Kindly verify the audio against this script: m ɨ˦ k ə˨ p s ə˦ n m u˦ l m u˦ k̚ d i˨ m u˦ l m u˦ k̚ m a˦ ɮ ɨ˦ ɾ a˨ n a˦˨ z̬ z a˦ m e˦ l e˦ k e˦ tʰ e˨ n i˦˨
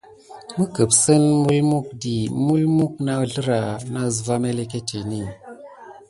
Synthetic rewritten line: m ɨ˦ k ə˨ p s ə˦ n m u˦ l m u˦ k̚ d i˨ m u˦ l m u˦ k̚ n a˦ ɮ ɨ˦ ɾ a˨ n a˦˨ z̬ v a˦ m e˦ l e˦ k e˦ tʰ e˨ n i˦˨